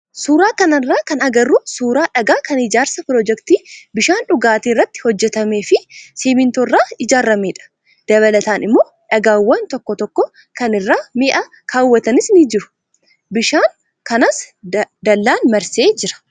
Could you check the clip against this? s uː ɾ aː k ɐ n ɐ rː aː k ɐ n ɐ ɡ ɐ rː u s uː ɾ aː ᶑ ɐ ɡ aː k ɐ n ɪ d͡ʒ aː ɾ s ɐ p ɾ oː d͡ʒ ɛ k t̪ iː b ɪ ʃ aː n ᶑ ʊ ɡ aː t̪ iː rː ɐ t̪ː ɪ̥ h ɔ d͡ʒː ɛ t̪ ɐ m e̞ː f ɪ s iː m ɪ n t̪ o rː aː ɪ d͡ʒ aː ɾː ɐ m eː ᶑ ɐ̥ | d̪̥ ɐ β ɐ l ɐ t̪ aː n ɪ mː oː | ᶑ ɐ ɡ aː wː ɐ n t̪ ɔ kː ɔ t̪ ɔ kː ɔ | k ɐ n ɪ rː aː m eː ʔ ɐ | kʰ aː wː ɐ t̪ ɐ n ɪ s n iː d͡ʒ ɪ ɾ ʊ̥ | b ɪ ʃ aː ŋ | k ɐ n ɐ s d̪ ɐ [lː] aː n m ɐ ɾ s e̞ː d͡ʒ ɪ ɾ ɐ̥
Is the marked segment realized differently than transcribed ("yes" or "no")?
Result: no